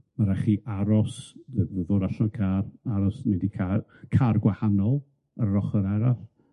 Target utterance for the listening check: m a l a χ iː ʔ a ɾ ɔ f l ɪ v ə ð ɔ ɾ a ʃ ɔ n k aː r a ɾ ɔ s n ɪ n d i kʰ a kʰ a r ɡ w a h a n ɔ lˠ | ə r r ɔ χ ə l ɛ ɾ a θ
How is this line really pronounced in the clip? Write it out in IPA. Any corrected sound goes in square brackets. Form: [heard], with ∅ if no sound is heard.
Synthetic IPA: m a [ɾ] a χ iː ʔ a ɾ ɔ [s] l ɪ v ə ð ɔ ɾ a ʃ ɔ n [kʰ] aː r a ɾ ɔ s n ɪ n d i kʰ a kʰ a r ɡ w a h a n ɔ lˠ | ə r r ɔ χ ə [ɾ] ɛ ɾ a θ